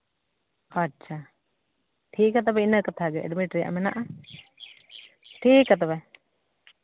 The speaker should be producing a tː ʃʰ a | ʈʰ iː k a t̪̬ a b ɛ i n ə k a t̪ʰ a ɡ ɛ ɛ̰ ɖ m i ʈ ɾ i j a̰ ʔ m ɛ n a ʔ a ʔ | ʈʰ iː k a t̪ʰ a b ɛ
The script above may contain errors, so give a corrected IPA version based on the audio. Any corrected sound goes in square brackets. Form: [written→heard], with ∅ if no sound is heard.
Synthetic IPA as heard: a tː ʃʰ a | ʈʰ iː k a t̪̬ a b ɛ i n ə k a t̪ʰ a ɡ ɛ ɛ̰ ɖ m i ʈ ɾ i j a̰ ʔ m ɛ n a ʔ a [ʔ→∅] | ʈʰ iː k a [t̪ʰ→t̪] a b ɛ